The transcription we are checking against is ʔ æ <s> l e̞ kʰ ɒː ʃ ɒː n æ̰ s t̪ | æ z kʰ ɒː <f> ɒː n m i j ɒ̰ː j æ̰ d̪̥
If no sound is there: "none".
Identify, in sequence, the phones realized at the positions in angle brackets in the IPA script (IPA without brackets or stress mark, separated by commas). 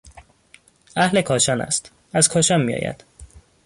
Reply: h, ʃ